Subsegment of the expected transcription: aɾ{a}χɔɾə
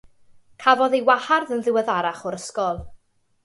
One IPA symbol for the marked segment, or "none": a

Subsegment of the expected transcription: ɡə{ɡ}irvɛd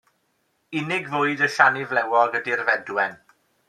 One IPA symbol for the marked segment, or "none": d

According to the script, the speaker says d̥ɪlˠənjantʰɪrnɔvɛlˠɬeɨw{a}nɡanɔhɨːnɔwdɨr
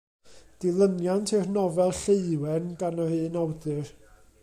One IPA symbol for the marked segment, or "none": ɛ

